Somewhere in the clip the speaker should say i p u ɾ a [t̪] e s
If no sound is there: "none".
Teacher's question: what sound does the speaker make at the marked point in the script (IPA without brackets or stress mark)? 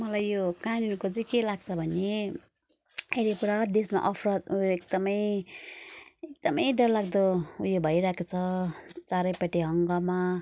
d̪